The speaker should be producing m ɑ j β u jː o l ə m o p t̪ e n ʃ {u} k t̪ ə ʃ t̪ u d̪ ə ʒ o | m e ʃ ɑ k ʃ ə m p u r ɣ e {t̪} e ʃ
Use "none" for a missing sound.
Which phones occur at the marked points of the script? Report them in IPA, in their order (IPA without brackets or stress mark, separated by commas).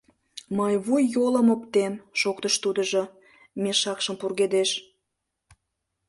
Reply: o, d̪